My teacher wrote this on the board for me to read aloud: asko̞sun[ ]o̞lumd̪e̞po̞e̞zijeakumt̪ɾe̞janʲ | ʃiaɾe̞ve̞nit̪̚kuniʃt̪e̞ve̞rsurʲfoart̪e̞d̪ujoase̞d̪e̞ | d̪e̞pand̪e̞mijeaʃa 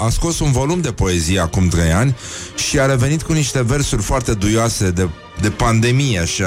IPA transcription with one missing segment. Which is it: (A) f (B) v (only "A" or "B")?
B